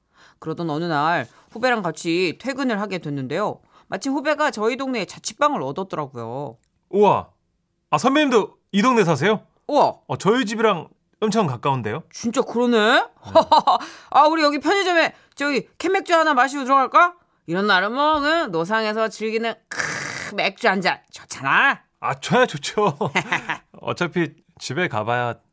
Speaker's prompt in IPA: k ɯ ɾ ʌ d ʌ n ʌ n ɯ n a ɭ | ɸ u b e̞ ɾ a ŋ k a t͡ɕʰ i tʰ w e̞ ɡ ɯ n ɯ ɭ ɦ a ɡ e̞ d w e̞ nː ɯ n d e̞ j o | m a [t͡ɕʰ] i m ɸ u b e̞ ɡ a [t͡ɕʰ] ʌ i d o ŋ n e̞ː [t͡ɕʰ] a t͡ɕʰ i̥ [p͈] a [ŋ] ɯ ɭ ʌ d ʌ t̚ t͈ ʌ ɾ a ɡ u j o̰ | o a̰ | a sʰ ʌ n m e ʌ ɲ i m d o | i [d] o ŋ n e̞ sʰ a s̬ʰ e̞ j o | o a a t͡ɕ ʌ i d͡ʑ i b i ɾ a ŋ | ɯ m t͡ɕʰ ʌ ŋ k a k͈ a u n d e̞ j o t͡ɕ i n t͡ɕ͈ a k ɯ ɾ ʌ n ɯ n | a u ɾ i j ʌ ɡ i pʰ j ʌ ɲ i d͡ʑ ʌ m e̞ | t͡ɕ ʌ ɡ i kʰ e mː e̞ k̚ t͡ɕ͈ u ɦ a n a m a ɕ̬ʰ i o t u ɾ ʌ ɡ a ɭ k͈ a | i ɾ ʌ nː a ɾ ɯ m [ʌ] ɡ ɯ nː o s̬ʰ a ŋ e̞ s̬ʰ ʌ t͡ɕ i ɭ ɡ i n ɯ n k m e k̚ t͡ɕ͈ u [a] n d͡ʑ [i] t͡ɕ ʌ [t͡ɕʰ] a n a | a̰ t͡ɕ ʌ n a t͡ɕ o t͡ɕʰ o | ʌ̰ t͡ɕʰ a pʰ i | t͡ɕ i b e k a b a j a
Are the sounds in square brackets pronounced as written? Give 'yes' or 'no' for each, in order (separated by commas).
yes, no, no, yes, yes, yes, yes, yes, no, yes